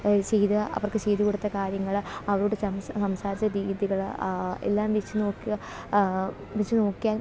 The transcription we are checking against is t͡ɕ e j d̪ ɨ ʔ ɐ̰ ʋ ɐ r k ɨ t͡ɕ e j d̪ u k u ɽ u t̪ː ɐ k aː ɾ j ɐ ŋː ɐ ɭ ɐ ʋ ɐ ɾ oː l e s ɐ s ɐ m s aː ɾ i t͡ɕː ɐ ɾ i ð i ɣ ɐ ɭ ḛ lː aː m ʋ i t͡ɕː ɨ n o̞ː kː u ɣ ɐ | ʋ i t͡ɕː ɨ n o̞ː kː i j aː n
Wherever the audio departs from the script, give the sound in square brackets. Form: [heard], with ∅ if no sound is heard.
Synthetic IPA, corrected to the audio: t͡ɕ e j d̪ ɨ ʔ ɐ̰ ʋ ɐ r k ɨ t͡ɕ e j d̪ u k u ɽ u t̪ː ɐ k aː ɾ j ɐ ŋː ɐ ɭ ɐ ʋ ɐ ɾ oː [ɽ] e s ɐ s ɐ m s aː ɾ i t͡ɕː ɐ ɾ [iː] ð i ɣ ɐ ɭ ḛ lː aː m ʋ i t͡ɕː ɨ n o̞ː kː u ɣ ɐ | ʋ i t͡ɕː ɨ n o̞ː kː i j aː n